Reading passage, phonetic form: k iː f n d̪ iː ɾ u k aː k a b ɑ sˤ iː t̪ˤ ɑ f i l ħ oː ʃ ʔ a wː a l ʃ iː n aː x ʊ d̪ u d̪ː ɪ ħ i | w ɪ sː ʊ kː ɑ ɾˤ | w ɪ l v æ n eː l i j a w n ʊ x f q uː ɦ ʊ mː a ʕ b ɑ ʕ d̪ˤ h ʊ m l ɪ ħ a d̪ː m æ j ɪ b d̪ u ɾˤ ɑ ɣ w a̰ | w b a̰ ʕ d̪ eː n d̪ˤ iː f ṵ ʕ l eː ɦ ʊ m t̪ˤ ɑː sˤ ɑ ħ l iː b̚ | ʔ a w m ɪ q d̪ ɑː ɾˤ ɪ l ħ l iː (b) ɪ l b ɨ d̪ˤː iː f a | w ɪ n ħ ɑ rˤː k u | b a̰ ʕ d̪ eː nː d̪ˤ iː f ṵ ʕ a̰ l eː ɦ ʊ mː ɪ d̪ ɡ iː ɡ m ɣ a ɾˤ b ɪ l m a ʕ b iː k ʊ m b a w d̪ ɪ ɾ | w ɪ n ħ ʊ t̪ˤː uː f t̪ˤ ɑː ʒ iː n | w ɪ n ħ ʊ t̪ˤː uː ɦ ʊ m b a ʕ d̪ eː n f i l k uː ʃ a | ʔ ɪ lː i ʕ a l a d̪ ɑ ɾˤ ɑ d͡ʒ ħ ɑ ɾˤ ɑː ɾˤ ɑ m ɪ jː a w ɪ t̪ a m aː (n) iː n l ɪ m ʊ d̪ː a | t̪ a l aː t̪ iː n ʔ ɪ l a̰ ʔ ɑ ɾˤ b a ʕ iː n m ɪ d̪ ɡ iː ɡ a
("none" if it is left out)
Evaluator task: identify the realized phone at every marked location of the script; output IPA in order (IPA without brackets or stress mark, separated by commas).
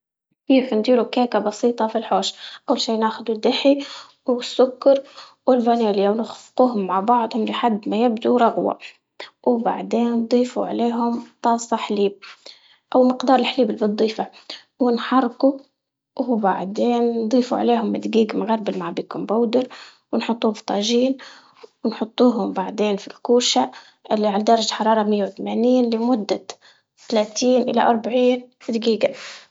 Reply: b, n